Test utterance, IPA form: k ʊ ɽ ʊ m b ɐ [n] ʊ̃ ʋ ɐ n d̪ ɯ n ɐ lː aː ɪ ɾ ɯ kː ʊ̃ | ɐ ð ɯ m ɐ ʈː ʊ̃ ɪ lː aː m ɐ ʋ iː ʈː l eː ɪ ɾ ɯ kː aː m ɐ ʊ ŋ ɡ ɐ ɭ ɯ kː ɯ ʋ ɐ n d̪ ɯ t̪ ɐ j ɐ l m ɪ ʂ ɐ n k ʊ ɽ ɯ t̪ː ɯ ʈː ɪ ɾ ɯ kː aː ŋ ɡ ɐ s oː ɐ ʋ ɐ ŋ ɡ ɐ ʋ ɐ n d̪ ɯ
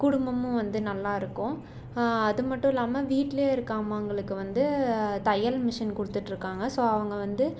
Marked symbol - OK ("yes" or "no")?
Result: no